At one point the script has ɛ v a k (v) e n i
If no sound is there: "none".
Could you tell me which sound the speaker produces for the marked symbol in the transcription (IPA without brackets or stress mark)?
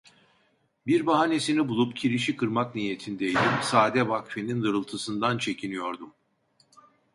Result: f